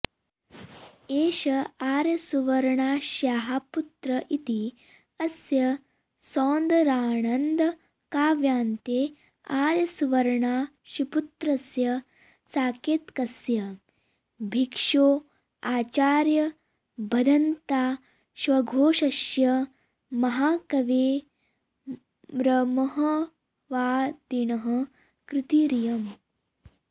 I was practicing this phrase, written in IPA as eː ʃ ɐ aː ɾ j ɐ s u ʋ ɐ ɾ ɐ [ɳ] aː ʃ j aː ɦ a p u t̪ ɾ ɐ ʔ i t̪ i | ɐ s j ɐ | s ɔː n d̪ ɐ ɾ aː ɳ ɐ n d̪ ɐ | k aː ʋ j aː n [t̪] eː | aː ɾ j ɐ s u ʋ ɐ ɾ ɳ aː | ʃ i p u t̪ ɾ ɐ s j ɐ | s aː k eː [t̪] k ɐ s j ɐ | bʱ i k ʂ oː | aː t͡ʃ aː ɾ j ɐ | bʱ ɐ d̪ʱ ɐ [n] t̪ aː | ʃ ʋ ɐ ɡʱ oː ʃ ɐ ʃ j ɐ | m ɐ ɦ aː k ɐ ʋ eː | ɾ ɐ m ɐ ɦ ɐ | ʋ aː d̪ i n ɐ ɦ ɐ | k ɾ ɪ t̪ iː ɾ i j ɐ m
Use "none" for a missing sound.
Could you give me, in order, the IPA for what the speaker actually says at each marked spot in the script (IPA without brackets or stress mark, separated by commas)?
ɳ, t̪, t̪, n